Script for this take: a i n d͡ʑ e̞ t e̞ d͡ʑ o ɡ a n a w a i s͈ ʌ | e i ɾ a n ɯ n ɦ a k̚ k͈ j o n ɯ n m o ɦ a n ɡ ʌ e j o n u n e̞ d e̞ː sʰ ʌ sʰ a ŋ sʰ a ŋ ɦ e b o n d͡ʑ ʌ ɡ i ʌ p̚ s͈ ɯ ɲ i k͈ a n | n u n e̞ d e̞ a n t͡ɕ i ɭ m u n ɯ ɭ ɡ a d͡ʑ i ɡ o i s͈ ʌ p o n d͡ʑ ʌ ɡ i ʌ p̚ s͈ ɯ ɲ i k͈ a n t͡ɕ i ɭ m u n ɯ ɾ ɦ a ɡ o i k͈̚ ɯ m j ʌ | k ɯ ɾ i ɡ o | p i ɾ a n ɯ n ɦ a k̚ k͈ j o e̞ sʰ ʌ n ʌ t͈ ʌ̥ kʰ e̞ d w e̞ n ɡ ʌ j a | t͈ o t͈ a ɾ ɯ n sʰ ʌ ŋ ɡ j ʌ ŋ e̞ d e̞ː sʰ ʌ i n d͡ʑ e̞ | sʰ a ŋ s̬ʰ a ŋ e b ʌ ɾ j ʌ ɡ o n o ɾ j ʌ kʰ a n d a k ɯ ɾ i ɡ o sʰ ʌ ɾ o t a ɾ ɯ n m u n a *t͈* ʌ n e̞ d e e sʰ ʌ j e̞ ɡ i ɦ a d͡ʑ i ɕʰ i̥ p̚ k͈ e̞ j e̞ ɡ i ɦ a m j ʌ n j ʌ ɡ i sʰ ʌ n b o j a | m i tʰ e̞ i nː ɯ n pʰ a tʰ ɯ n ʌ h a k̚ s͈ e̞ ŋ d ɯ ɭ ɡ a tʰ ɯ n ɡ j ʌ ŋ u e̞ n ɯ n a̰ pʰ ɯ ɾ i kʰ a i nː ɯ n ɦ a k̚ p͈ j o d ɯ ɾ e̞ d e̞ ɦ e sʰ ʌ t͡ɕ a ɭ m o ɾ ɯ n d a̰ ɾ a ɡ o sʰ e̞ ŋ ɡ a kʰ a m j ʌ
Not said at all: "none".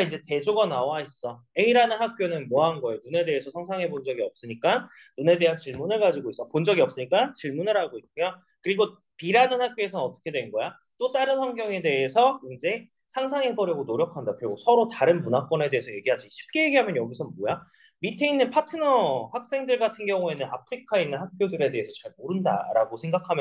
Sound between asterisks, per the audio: k͈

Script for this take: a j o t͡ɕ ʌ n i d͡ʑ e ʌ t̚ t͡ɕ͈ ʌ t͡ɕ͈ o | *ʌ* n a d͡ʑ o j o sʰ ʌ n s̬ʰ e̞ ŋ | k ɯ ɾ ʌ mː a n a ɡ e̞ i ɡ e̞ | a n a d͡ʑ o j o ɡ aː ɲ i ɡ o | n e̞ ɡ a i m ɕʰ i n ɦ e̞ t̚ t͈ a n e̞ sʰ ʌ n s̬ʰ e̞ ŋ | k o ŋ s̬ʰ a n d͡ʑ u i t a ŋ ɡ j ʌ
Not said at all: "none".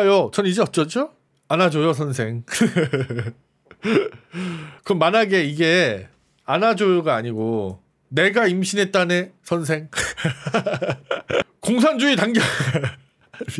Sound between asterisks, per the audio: a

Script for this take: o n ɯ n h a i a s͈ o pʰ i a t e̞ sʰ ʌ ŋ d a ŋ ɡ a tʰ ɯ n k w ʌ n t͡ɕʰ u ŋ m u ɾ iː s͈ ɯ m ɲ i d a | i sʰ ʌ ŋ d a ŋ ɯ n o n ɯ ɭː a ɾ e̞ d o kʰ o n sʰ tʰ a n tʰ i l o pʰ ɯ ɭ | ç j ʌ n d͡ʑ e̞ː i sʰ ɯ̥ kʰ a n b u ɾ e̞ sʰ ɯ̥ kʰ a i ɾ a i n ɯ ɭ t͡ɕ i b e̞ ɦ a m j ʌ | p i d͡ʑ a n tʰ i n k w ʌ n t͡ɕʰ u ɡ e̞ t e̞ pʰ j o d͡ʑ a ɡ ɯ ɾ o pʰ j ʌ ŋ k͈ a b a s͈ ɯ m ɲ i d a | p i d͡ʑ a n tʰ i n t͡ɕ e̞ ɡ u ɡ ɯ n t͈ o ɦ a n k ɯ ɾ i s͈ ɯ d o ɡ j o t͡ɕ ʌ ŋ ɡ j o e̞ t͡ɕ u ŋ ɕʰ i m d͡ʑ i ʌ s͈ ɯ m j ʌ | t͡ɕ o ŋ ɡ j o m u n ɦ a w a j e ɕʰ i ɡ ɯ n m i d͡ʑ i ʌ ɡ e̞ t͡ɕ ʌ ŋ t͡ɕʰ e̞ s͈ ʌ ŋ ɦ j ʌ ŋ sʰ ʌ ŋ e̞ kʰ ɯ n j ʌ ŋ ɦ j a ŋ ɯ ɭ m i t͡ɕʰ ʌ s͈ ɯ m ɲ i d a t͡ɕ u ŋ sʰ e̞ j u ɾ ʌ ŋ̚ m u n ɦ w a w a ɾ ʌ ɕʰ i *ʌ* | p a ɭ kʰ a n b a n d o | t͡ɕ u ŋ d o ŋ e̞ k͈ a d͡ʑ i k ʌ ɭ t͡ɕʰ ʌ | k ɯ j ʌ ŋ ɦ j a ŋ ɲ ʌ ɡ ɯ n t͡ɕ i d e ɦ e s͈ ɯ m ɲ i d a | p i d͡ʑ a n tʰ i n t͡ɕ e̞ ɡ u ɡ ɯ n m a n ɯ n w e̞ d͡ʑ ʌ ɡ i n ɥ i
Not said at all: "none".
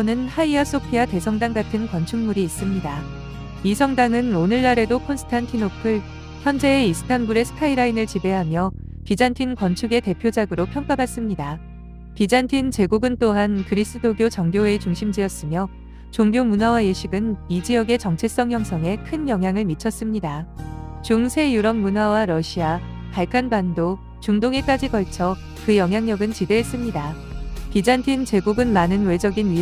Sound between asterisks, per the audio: a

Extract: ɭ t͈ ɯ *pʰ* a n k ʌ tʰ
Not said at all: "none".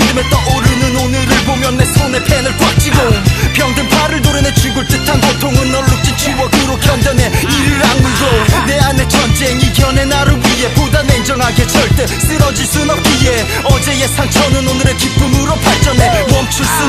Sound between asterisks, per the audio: tʰ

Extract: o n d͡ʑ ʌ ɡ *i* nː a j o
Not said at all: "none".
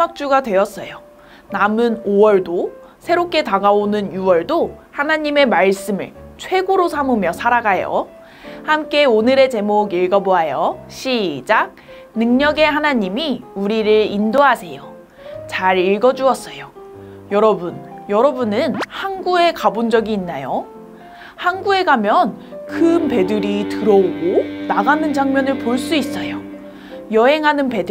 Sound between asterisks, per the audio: iː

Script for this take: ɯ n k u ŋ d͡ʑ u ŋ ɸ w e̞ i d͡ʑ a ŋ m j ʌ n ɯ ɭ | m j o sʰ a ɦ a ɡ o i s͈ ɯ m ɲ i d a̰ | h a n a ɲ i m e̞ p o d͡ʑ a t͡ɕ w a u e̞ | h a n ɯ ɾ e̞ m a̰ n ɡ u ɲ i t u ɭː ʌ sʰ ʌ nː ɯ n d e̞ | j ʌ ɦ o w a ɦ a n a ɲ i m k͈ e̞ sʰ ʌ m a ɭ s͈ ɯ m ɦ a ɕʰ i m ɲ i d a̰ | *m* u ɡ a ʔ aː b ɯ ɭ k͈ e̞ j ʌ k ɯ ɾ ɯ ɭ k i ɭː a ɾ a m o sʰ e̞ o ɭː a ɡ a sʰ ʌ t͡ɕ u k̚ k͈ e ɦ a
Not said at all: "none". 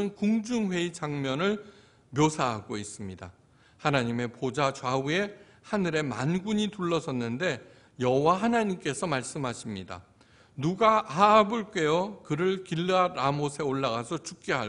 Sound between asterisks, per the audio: n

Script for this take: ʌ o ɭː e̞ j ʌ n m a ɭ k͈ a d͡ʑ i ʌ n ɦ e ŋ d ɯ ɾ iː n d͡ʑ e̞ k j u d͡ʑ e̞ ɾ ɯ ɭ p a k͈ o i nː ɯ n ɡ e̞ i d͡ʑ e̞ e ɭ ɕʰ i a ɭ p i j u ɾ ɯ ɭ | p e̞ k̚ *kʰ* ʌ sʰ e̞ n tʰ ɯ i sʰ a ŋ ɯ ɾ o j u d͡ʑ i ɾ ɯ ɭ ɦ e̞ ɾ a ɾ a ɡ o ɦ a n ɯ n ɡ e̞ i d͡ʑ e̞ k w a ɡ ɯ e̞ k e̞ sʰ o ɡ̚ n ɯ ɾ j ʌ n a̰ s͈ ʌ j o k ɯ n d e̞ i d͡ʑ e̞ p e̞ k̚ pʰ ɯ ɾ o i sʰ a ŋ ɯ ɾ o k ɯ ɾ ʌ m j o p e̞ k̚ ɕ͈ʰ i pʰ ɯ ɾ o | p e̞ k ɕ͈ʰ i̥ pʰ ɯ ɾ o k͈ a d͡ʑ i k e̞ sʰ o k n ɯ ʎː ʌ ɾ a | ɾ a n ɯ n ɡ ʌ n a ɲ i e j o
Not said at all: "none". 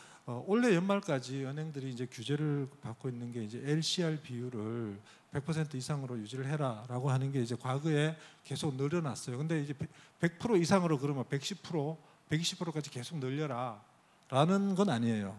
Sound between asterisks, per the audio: pʰ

